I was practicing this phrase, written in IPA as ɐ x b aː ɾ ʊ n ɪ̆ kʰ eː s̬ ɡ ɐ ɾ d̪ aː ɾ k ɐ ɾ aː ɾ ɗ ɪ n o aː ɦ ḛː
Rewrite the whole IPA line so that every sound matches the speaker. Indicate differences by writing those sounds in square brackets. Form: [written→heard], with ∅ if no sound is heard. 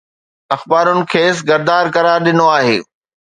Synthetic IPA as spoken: ɐ x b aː ɾ ʊ n ɪ̆ kʰ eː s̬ ɡ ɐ ɾ d̪ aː ɾ k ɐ ɾ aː ɾ ɗ ɪ n o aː ɦ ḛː